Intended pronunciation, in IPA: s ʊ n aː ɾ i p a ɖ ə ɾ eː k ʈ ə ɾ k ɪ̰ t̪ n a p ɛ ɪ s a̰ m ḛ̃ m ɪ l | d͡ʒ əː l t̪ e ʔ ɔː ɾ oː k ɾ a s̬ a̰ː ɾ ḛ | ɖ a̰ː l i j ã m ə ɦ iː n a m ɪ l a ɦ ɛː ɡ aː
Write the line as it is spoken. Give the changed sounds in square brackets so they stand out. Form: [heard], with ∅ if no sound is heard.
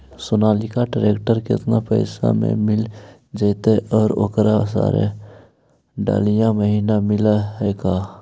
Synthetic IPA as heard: s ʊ n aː [l] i [k] a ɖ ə ɾ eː k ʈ ə ɾ k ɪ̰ t̪ n a p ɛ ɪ s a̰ m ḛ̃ m ɪ l | d͡ʒ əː [∅] t̪ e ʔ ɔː ɾ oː k ɾ a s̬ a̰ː ɾ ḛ | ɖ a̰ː l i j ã m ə ɦ iː n a m ɪ l a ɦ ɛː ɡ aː